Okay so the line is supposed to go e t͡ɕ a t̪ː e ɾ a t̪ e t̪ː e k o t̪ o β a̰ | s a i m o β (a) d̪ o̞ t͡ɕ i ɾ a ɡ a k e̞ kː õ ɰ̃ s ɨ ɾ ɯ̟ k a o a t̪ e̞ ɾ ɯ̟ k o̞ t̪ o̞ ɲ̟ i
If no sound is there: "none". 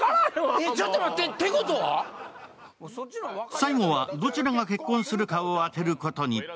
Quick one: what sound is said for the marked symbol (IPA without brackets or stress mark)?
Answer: a